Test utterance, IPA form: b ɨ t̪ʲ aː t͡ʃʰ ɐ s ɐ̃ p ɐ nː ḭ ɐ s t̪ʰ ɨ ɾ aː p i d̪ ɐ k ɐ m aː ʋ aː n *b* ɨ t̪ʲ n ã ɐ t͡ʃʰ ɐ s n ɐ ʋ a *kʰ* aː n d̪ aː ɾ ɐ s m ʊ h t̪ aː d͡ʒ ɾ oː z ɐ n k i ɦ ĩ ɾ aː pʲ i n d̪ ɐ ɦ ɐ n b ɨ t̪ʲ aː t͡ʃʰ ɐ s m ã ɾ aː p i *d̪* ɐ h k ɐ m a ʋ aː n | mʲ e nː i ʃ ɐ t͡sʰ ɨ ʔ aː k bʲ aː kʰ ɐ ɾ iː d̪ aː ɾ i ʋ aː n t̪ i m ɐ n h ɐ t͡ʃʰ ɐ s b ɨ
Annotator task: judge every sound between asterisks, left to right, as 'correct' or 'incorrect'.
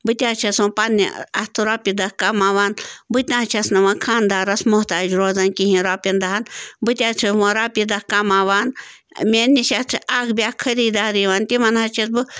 correct, correct, correct

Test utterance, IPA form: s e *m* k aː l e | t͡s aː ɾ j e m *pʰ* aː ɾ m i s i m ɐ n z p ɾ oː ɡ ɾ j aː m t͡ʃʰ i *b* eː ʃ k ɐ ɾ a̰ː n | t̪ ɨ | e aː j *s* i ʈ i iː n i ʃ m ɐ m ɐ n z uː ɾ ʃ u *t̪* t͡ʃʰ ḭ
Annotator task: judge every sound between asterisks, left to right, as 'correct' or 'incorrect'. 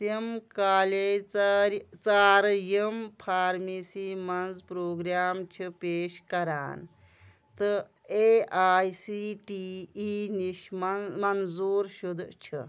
correct, correct, incorrect, correct, incorrect

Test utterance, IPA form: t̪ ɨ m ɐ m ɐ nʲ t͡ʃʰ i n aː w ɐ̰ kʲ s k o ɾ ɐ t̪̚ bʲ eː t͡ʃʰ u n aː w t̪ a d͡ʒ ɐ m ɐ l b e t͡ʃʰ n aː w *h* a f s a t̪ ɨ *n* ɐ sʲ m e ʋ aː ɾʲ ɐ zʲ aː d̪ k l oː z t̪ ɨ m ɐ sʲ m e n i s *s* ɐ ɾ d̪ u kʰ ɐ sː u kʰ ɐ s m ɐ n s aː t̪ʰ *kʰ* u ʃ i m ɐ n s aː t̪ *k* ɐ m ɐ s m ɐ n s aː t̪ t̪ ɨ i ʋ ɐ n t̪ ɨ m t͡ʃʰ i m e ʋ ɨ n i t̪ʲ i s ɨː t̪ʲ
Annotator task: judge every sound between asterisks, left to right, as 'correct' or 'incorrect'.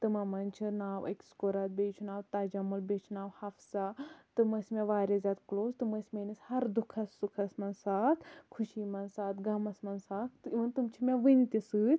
correct, incorrect, incorrect, correct, incorrect

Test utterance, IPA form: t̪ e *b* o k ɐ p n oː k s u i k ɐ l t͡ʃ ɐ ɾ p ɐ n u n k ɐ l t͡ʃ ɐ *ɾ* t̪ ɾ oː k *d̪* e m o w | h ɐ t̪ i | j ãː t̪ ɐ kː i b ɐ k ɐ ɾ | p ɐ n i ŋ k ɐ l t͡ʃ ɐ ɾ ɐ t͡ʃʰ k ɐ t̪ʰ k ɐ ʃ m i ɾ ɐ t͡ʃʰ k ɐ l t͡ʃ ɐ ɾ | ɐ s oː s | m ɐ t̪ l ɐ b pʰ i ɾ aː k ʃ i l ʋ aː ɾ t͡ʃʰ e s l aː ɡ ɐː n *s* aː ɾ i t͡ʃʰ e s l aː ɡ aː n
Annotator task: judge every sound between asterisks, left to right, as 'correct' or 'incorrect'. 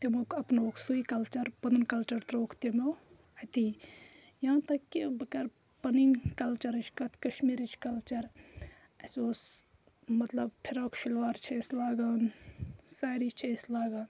incorrect, correct, incorrect, correct

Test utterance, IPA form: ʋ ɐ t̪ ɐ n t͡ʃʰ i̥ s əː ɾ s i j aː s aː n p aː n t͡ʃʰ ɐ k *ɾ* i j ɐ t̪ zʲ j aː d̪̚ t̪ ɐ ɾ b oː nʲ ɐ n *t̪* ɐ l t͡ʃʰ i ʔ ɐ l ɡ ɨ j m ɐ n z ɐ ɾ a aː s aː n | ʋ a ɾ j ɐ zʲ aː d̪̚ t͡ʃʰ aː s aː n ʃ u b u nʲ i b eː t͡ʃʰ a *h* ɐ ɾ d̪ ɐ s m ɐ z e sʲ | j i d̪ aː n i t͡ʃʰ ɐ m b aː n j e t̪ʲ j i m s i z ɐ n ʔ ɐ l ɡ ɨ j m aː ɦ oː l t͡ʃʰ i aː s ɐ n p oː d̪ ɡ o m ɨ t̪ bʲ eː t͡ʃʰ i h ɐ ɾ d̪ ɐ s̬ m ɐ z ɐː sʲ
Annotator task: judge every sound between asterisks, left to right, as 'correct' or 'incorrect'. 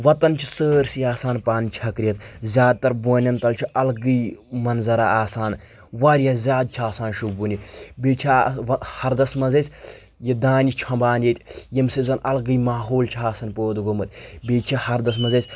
correct, correct, correct

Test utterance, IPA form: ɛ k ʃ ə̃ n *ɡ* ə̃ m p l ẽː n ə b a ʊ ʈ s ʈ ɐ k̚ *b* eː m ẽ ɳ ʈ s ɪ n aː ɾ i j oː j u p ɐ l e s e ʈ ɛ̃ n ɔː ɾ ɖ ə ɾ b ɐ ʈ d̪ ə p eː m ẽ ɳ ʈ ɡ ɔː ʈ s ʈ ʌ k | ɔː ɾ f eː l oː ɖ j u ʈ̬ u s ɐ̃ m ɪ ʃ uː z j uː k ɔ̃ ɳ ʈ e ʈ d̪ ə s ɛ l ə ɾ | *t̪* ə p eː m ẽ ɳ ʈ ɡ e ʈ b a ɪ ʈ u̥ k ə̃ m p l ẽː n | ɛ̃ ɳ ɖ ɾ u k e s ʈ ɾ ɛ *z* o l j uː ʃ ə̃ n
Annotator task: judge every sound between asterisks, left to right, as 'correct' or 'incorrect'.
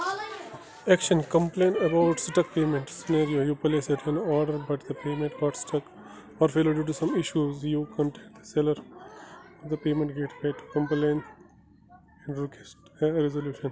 incorrect, incorrect, incorrect, correct

